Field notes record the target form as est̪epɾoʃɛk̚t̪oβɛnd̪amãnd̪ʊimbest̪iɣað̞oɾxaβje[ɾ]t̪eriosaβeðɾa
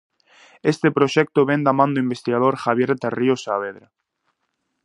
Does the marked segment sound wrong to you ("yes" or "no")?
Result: no